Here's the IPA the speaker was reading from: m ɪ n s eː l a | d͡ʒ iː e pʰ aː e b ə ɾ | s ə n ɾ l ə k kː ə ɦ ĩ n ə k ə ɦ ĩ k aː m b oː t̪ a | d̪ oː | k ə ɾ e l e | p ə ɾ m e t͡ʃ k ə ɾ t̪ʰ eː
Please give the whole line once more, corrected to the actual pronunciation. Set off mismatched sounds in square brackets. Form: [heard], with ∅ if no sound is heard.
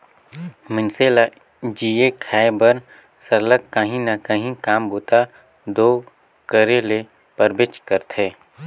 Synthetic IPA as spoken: m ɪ n s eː l a | d͡ʒ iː e [kʰ] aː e b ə ɾ | s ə [∅] ɾ l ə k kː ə ɦ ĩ n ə k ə ɦ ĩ k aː m b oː t̪ a | d̪ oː | k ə ɾ e l e | p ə ɾ [b] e t͡ʃ k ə ɾ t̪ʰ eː